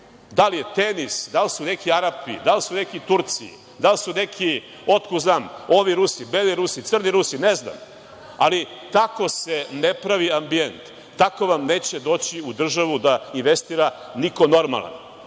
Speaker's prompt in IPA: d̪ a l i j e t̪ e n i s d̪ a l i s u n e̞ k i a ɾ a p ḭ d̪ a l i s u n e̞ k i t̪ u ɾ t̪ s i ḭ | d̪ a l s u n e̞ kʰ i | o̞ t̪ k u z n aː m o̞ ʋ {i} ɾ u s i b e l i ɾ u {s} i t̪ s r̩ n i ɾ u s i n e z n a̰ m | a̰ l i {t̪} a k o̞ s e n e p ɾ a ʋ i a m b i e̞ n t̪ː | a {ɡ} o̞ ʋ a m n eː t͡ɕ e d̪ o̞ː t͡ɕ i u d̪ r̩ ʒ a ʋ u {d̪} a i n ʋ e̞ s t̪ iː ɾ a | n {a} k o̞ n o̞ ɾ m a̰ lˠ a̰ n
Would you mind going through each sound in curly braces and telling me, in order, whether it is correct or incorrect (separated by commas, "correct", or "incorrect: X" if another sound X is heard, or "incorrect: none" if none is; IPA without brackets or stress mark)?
correct, correct, correct, incorrect: k, correct, incorrect: i